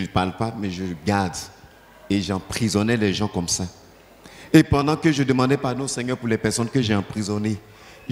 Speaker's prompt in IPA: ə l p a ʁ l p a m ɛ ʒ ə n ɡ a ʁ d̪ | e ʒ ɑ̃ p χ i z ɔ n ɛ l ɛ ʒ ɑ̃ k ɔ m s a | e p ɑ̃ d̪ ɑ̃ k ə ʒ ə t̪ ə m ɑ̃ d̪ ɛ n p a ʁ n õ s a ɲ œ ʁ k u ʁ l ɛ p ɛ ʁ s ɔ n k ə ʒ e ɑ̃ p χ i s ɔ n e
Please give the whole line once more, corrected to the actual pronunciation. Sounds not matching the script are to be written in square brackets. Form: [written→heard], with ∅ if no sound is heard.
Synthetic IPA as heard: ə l p a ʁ l p a m ɛ ʒ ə [n→∅] ɡ a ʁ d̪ | e ʒ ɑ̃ p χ i z ɔ n ɛ l ɛ ʒ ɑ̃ k ɔ m s a | e p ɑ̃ d̪ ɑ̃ k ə ʒ ə [t̪→d̪] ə m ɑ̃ d̪ ɛ [n→∅] p a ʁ n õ s [a→ɛ] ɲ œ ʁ [k→p] u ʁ l ɛ p ɛ ʁ s ɔ n k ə ʒ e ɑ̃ p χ i [s→z] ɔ n e